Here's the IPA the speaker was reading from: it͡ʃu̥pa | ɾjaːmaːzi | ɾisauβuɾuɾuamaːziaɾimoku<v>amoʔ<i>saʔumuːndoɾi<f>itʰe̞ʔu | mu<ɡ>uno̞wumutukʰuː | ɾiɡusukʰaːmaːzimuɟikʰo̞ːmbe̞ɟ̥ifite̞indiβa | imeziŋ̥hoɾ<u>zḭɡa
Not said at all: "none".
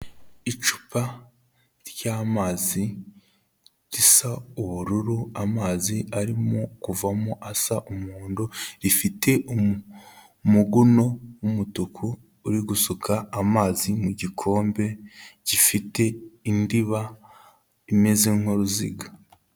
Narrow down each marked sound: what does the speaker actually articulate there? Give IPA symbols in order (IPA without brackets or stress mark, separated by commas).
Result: v, a, f, ɡ, u